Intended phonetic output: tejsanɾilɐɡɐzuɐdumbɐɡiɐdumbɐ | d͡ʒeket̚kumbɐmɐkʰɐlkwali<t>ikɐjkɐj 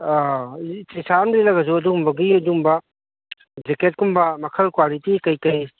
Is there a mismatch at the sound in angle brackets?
no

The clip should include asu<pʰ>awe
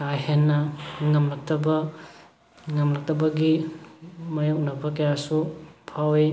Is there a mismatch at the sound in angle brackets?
no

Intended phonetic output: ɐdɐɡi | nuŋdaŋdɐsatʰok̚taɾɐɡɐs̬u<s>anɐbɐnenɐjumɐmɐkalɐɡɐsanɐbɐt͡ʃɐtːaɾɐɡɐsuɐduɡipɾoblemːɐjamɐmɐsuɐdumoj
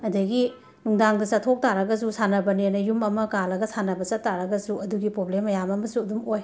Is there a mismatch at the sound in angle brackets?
no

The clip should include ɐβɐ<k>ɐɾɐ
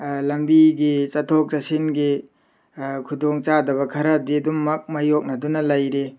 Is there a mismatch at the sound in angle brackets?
yes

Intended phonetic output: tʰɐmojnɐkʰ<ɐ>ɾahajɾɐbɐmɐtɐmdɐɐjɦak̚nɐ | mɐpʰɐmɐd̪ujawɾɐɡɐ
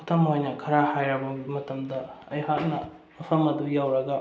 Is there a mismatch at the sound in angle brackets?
no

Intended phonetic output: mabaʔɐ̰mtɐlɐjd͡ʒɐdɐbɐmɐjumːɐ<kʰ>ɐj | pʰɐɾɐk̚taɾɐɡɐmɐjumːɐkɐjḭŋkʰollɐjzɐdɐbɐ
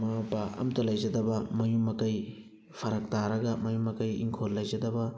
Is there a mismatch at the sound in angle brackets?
yes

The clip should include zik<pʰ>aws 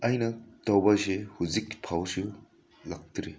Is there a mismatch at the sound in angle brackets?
no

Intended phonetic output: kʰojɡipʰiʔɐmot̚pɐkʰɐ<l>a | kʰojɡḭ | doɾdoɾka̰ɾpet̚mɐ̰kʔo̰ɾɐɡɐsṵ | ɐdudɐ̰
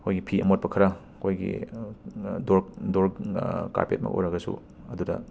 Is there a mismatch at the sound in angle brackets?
yes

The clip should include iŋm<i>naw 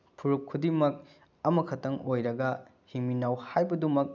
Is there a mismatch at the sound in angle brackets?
no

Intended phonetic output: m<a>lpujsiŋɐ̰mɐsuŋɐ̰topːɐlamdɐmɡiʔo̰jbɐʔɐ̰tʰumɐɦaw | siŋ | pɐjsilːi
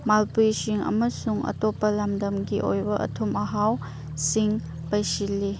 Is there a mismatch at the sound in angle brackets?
no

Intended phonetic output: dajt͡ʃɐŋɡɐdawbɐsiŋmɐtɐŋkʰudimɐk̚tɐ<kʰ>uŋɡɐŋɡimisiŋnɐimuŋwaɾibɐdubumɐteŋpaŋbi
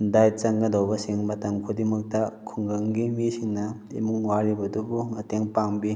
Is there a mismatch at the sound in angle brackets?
no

